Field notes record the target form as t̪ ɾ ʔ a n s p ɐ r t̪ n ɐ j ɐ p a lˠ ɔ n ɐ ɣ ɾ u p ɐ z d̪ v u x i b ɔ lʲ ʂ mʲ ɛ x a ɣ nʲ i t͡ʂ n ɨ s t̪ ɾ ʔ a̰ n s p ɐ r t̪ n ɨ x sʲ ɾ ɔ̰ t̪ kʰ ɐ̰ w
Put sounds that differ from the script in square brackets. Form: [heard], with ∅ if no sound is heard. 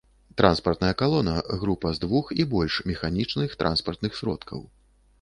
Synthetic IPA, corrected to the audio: t̪ ɾ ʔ a n s p ɐ r t̪ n ɐ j ɐ [k] a lˠ ɔ n ɐ ɣ ɾ u p ɐ z d̪ v u x i b ɔ lʲ ʂ mʲ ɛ x a [∅] nʲ i t͡ʂ n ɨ [x] t̪ ɾ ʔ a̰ n s p ɐ r t̪ n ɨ x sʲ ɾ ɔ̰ t̪ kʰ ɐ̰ w